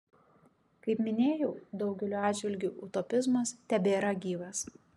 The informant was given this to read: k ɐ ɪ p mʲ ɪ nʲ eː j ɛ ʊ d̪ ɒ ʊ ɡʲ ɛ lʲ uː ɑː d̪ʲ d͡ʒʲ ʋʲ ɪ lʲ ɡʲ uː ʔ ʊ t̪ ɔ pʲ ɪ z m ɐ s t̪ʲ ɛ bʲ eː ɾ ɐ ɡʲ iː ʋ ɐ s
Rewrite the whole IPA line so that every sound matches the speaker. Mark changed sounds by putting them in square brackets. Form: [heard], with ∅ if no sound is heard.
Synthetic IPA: k ɐ ɪ p mʲ ɪ nʲ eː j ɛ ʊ d̪ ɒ ʊ ɡʲ ɛ lʲ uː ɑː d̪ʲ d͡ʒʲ ʋʲ ɪ lʲ ɡʲ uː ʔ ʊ t̪ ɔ pʲ ɪ z m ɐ s t̪ʲ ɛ bʲ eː ɾ ɐ ɡʲ iː ʋ ɐ s